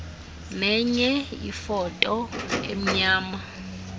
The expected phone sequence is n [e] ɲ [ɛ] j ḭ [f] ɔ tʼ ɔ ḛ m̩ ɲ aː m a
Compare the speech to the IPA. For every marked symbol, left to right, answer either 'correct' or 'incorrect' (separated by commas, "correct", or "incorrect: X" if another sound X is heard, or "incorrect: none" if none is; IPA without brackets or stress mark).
incorrect: ɛ, correct, correct